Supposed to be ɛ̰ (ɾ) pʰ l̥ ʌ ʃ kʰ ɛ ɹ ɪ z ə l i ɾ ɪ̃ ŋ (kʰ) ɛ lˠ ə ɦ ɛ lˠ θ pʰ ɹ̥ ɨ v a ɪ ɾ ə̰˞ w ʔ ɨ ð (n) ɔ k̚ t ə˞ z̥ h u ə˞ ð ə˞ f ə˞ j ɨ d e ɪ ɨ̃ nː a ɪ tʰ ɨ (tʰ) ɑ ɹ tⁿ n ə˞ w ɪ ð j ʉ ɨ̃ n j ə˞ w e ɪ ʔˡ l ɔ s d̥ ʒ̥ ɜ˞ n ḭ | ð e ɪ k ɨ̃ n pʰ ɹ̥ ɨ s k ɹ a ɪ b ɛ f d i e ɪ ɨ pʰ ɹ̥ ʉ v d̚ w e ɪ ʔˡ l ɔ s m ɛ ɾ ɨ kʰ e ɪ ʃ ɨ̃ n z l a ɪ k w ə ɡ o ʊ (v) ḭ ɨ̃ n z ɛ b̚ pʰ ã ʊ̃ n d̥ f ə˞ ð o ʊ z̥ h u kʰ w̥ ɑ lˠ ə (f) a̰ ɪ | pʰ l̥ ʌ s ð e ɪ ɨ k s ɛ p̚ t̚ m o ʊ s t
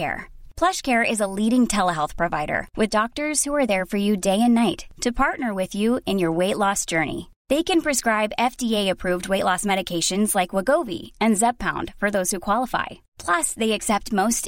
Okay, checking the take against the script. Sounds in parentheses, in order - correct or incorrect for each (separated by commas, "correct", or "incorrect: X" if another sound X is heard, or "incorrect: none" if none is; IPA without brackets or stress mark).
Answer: incorrect: ɹ, incorrect: tʰ, incorrect: d, incorrect: pʰ, correct, correct